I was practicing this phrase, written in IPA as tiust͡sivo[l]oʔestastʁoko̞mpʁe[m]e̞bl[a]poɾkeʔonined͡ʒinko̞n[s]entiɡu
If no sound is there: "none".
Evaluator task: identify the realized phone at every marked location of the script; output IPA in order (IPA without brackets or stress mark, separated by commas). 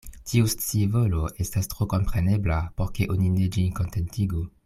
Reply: l, n, a, t